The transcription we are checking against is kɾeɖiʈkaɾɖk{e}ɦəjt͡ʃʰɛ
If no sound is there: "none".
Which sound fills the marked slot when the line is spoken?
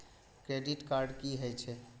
i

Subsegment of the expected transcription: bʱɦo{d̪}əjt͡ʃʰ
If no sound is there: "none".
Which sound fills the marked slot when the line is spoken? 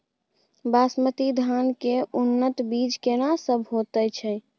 t̪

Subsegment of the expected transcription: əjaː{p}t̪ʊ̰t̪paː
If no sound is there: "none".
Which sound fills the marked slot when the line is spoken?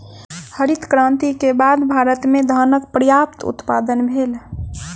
p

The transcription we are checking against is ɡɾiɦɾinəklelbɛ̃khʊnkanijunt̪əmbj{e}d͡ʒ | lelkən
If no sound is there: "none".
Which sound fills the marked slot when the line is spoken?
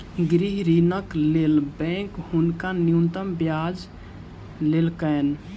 a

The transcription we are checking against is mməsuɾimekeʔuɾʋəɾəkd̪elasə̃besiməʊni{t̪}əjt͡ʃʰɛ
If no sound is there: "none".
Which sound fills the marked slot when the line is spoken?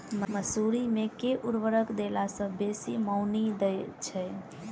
d̪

